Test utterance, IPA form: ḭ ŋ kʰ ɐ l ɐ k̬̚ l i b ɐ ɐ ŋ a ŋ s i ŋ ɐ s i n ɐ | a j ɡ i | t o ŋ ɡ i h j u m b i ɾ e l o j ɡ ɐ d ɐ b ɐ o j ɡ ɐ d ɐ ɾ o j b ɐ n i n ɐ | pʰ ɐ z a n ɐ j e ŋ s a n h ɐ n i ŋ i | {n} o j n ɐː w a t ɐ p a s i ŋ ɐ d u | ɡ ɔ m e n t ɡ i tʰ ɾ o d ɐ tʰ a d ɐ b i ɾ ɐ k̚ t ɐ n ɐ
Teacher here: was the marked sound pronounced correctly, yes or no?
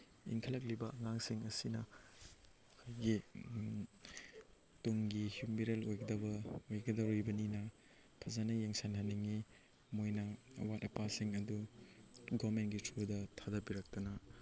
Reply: no